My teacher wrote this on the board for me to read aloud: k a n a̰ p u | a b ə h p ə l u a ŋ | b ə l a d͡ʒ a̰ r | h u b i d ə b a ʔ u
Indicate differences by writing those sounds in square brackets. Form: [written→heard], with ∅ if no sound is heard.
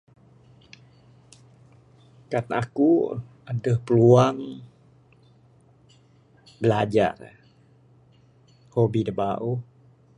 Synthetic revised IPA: k a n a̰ [p→k] u | a [b→d] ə h p ə l u a ŋ | b ə l a d͡ʒ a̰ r | h [u→o] b i d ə b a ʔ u

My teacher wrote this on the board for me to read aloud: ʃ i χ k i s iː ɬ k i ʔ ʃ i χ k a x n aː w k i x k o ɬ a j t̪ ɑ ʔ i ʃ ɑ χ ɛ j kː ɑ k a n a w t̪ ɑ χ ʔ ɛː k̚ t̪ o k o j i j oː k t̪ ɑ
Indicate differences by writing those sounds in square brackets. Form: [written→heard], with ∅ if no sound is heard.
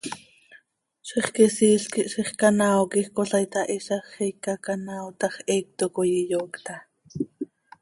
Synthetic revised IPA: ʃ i χ k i s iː ɬ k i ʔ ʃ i χ k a [x→∅] n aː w k i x k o ɬ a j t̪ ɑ ʔ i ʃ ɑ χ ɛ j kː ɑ k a n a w t̪ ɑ χ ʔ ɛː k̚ t̪ o k o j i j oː k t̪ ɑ

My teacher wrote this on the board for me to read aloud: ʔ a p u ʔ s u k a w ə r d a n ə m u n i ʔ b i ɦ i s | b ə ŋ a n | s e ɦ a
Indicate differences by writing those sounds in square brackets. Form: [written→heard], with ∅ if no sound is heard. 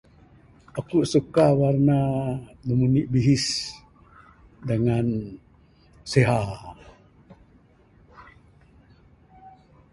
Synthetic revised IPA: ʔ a [p→k] u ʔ s u k a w [ə→a] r [d→n] a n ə m u n i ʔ b i ɦ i s | [b→d] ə ŋ a n | s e ɦ a

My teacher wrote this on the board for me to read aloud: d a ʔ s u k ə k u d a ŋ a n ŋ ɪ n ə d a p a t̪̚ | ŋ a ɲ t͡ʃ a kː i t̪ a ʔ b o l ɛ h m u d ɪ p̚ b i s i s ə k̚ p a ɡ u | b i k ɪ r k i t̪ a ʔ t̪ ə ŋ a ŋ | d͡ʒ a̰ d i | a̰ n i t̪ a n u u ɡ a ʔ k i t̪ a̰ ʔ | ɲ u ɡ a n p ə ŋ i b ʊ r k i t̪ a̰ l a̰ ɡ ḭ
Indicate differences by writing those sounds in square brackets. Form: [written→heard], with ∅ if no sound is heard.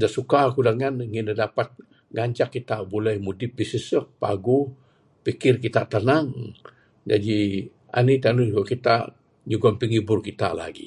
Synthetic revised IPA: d a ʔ s u k [ə→a] k u d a ŋ a n ŋ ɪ n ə d a p a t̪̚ | ŋ a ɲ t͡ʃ a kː i t̪ a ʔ b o l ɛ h m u d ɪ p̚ b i s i s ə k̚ p a ɡ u | [b→p] i k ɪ r k i t̪ a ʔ t̪ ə [ŋ→n] a ŋ | d͡ʒ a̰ d i | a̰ n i t̪ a n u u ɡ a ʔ k i t̪ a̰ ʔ | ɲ u ɡ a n p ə ŋ i b ʊ r k i t̪ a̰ l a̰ ɡ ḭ

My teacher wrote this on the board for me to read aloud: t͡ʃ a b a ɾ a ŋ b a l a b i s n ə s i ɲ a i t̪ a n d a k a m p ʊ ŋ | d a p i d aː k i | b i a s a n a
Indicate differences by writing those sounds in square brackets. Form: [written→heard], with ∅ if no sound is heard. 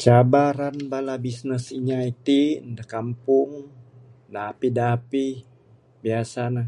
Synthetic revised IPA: t͡ʃ a b a ɾ a [ŋ→n] b a l a b i s n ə s i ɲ a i t̪ [a→i] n d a k a m p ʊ ŋ | d a p i d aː [k→p] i | b i a s a n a

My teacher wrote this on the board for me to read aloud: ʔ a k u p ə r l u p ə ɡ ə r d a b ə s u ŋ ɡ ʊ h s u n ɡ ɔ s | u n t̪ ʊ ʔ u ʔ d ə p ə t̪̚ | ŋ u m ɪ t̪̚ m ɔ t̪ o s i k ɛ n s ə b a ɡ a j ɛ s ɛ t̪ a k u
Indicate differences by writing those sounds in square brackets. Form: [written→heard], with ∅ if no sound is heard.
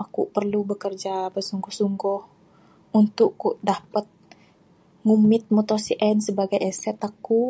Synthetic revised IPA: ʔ a k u p ə r l u [p→b] ə [ɡ→k] ə r [d→d͡ʒ] a b ə s u ŋ ɡ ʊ h s u [n→ŋ] ɡ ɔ [s→h] | u n t̪ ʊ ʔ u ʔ d [ə→a] p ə t̪̚ | ŋ u m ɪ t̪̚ m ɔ t̪ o s i [k→ʔ] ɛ n s ə b a ɡ a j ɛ s ɛ t̪ a k u

